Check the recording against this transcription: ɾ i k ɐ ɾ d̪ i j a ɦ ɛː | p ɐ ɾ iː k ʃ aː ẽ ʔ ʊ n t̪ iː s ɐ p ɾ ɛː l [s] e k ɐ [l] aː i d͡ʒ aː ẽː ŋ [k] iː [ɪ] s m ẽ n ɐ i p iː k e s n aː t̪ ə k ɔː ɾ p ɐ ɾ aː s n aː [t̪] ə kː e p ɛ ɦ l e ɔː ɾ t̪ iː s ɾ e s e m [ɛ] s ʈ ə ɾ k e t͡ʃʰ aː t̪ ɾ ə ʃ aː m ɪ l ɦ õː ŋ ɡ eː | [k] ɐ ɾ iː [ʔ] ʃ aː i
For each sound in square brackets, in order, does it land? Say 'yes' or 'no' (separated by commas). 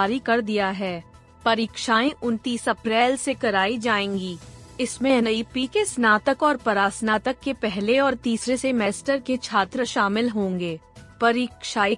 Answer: yes, no, no, yes, yes, no, no, no